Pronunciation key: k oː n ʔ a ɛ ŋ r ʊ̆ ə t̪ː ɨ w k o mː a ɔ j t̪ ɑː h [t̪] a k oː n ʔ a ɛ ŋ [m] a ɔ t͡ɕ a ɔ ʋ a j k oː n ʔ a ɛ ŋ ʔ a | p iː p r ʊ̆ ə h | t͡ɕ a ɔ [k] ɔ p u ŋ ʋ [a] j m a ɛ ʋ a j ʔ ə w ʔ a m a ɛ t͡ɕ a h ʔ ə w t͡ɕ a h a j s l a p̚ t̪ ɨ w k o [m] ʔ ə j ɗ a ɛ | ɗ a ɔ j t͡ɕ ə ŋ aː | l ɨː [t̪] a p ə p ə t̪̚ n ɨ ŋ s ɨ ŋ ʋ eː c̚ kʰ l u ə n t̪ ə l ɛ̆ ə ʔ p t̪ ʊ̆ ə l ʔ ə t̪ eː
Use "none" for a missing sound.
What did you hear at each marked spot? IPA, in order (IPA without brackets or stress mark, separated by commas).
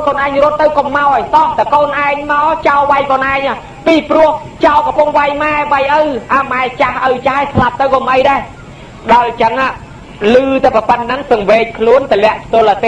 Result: t̪, m, k, a, m, t̪